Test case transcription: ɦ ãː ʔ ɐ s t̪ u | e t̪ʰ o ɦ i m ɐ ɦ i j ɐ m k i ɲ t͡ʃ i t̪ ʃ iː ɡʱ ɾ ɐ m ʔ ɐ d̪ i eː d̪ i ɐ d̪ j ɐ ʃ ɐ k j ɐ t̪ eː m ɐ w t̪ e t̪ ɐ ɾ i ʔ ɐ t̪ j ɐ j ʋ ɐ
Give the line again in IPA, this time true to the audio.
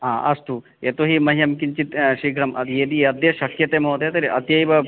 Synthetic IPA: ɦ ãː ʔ ɐ s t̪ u | e t̪ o ɦ i m ɐ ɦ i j ɐ m k i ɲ t͡ʃ i t̪ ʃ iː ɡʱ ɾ ɐ m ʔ ɐ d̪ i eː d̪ i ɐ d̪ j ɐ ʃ ɐ k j ɐ t̪ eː m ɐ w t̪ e t̪ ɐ ɾ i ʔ ɐ t̪ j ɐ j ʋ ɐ